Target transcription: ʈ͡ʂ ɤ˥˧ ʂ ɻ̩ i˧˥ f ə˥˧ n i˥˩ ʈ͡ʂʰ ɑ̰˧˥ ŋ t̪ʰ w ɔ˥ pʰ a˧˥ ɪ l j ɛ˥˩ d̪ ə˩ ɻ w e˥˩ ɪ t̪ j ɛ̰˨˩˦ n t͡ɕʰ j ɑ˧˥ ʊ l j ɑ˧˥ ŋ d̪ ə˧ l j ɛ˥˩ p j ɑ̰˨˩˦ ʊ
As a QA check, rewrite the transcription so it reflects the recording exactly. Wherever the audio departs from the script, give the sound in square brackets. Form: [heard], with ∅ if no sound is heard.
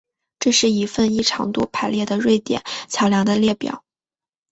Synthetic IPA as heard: ʈ͡ʂ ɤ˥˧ ʂ ɻ̩ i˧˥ f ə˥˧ n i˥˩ ʈ͡ʂʰ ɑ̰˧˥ ŋ [t̪] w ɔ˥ pʰ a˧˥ ɪ l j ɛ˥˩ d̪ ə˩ ɻ w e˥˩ ɪ t̪ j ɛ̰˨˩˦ n t͡ɕʰ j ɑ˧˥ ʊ l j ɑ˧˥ ŋ d̪ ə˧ l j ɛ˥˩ p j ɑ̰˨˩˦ ʊ